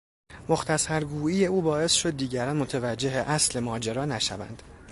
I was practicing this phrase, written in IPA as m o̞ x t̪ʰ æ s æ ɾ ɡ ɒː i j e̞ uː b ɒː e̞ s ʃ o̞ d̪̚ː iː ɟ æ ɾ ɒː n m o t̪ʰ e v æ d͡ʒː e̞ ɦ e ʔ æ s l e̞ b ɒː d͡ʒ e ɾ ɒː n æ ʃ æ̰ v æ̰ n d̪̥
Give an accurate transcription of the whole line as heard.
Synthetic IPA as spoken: m o̞ x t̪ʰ æ s æ ɾ ɡ uː i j e̞ uː b ɒː e̞ s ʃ o̞ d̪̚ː iː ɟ æ ɾ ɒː n m o t̪ʰ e v æ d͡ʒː e̞ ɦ e ʔ æ s l e̞ m ɒː d͡ʒ e ɾ ɒː n æ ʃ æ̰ v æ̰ n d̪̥